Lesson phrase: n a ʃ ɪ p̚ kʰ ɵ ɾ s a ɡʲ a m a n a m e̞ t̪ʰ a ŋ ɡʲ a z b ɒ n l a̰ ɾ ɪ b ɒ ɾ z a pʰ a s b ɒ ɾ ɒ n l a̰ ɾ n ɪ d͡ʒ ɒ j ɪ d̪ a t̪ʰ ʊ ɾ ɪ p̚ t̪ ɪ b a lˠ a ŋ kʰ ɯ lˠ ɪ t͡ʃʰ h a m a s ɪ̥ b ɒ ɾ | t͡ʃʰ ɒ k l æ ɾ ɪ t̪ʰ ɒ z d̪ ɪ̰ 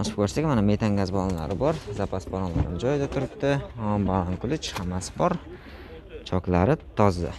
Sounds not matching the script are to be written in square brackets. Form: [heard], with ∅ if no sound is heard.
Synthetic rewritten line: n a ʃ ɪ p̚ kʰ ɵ ɾ s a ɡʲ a m a n a m e̞ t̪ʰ a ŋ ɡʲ a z b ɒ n l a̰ ɾ ɪ b ɒ ɾ z a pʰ a s b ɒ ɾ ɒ n l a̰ ɾ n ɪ d͡ʒ ɒ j ɪ d̪ a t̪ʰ ʊ ɾ ɪ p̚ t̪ ɪ b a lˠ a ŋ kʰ [ʊ] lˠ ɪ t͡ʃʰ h a m a s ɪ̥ b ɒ ɾ | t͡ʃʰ ɒ k l [a] ɾ ɪ t̪ʰ ɒ z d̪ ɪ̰